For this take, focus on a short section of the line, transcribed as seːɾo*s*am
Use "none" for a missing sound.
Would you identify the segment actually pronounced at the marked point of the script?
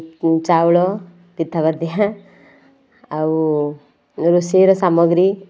s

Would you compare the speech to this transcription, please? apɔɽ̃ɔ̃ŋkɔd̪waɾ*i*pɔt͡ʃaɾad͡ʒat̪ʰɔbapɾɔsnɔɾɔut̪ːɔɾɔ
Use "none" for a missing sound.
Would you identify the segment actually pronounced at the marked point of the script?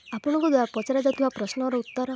a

